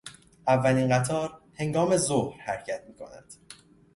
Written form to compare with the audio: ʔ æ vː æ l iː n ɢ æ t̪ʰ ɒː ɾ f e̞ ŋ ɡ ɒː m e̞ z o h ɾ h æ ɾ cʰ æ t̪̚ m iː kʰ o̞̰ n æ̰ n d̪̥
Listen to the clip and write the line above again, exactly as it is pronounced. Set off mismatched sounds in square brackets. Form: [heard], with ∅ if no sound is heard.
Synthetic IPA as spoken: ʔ æ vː æ l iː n ɢ æ t̪ʰ ɒː ɾ [h] e̞ ŋ ɡ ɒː m e̞ z o h ɾ h æ ɾ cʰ æ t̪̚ m iː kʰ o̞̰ n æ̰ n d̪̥